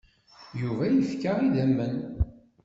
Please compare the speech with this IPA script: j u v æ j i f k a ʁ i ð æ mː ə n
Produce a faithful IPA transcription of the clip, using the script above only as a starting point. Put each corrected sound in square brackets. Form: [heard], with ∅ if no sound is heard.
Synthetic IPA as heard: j u v æ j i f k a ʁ i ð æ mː ə n